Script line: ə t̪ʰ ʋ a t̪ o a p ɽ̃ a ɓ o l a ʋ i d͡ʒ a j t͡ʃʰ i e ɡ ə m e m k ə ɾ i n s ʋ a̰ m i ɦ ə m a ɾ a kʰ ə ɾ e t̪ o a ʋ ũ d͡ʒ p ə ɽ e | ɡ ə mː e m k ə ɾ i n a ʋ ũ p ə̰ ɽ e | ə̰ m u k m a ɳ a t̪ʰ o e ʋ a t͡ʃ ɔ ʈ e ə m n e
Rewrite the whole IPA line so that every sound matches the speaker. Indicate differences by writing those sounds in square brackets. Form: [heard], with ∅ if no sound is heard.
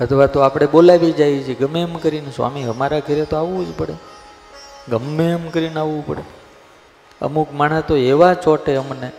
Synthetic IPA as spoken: ə t̪ʰ ʋ a t̪ o a p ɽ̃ [e] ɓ o l a ʋ i d͡ʒ a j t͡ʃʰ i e ɡ ə m e m k ə ɾ i n s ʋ a̰ m i ɦ ə m a ɾ a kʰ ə ɾ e t̪ o a ʋ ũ d͡ʒ p ə ɽ e | ɡ ə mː e m k ə ɾ i n a ʋ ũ p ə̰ ɽ e | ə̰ m u k m a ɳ a [t̪] o e ʋ a t͡ʃ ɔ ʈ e ə m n e